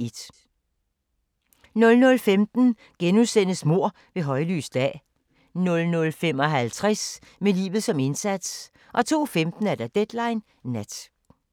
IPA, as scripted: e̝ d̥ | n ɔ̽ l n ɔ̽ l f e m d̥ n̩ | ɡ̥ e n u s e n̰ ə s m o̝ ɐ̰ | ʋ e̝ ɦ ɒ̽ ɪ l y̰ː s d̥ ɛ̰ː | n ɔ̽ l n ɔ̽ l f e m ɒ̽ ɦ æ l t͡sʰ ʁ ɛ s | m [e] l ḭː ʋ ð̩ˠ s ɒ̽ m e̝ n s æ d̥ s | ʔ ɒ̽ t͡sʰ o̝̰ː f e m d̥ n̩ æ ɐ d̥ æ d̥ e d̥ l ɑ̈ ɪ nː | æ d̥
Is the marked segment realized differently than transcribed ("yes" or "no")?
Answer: no